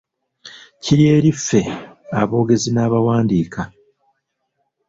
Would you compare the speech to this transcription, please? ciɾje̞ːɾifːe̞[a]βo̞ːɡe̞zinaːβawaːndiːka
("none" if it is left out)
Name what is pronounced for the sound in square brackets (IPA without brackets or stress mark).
a